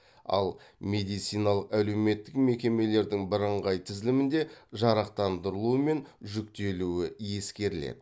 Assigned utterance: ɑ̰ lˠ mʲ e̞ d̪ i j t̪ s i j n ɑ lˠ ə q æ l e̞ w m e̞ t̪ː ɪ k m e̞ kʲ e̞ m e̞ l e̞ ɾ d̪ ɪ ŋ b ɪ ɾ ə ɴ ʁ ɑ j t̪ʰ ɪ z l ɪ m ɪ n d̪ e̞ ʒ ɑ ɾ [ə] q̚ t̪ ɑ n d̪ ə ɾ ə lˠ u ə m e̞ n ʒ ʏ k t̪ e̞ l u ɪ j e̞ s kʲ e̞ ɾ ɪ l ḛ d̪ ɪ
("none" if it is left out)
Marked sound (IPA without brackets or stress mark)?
ɑ